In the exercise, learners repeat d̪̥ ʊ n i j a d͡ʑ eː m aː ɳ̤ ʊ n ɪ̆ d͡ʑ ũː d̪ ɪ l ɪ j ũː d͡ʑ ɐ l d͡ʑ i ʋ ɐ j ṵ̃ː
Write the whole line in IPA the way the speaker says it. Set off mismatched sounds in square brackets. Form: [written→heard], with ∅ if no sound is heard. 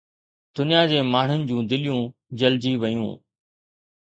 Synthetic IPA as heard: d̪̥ ʊ n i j a d͡ʑ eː m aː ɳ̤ ʊ n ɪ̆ d͡ʑ ũː d̪ ɪ l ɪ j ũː d͡ʑ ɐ l d͡ʑ i ʋ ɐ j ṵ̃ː